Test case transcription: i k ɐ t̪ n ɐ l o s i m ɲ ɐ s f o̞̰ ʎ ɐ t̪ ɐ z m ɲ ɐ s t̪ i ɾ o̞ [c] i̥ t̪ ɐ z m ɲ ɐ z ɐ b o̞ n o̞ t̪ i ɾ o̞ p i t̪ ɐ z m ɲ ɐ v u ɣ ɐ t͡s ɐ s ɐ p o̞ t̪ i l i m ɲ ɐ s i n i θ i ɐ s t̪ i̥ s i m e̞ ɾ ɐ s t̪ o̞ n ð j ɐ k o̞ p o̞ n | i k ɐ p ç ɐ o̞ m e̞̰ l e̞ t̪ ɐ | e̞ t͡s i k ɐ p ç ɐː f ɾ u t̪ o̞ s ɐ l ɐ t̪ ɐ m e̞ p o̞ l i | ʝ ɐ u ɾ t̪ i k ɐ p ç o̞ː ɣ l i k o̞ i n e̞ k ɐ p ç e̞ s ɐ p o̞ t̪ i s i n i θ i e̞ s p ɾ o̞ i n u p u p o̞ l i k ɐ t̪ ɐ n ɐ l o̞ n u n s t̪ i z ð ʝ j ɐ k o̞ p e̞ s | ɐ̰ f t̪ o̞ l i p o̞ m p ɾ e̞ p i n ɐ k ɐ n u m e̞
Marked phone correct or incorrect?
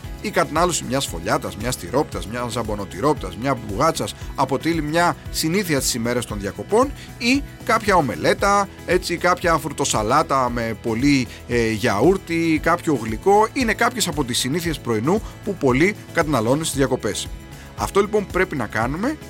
incorrect